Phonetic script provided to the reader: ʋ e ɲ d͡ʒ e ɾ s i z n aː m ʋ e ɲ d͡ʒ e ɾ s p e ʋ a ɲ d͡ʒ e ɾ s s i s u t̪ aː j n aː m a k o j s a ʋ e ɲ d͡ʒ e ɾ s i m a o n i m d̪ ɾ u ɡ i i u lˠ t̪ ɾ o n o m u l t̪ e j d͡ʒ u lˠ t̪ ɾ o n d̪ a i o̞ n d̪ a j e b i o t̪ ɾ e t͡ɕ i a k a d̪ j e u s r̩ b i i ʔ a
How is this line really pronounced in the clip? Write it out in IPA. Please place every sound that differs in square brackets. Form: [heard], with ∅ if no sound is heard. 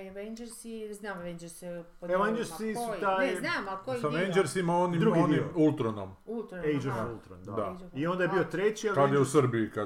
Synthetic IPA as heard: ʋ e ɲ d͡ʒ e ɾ s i z n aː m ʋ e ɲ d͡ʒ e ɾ s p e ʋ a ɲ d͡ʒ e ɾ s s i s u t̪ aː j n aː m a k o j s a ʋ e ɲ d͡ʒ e ɾ s i m a o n i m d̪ ɾ u ɡ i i u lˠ t̪ ɾ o n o m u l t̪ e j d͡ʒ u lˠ t̪ ɾ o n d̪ a i o̞ n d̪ a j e b i o t̪ ɾ e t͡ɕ i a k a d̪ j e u s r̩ b i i [k] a